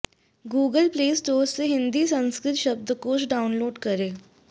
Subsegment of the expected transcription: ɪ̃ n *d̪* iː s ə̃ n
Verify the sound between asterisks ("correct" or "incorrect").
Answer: correct